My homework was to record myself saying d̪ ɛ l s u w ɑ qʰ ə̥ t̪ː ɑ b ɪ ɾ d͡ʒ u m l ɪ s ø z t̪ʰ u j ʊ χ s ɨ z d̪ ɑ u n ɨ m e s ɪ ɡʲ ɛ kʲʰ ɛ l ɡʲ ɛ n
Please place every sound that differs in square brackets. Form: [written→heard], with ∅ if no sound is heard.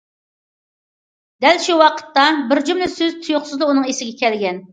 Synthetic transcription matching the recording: d̪ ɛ l [s→ʃ] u w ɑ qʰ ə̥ t̪ː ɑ b ɪ ɾ d͡ʒ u m l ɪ s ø z t̪ʰ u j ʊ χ s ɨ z d̪ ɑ u n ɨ [m→ŋ] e s ɪ ɡʲ ɛ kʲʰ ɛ l ɡʲ ɛ n